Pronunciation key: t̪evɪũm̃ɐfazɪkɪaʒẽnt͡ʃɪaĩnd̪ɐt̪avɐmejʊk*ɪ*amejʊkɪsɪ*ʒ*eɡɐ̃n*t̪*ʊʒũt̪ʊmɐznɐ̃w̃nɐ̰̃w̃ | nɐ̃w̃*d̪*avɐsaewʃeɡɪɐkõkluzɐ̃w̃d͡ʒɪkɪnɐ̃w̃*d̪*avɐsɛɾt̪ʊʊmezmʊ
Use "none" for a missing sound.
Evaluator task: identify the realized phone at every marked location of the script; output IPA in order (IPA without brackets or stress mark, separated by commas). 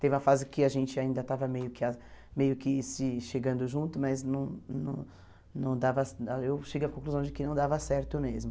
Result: ɪ, ʃ, d̪, d̪, d̪